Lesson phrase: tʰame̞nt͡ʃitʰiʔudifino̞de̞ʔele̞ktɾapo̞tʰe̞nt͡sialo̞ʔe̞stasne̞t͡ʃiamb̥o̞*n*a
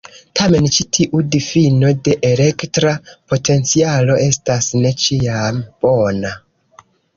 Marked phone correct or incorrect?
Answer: correct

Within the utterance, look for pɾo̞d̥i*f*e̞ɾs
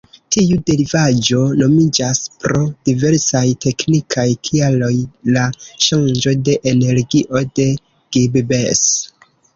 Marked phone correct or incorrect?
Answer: incorrect: v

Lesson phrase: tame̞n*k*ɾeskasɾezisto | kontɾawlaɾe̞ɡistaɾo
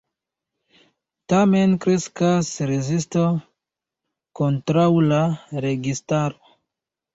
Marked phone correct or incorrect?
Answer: correct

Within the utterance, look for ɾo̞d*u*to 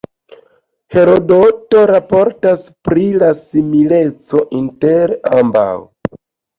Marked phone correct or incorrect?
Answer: incorrect: o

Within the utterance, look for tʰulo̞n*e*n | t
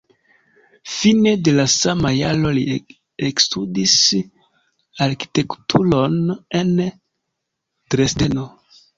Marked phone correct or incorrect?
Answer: correct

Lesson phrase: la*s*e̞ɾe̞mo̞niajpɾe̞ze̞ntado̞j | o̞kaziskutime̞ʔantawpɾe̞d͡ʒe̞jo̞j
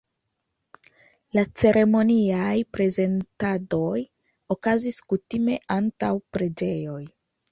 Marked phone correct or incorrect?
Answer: incorrect: t͡s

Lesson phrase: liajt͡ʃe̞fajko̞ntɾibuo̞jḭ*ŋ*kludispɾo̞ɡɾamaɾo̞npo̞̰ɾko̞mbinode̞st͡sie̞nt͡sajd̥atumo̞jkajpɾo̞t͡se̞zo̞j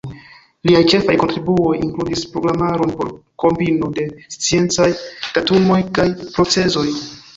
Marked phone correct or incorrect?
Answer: correct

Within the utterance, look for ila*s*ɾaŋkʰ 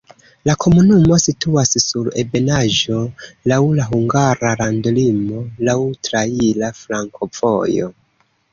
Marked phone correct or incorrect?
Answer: incorrect: f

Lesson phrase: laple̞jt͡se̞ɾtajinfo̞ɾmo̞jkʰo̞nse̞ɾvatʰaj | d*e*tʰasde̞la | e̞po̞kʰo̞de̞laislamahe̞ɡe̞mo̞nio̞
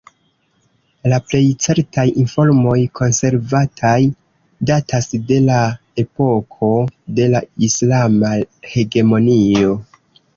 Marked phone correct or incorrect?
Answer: incorrect: a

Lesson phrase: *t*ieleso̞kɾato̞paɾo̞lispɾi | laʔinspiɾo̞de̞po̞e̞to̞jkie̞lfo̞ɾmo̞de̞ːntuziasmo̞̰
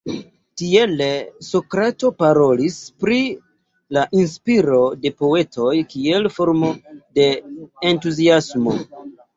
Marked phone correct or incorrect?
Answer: correct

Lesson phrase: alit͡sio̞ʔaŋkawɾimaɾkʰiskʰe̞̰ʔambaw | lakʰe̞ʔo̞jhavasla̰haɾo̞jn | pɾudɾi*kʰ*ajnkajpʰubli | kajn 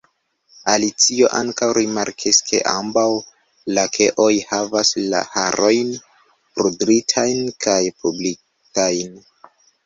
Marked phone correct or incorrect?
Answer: incorrect: tʰ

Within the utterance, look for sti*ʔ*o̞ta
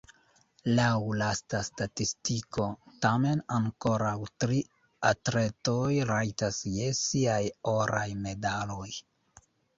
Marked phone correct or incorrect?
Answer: incorrect: k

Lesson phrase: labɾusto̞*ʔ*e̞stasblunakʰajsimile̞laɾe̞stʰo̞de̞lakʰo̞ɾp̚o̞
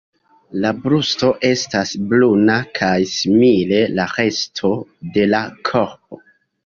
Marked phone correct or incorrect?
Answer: correct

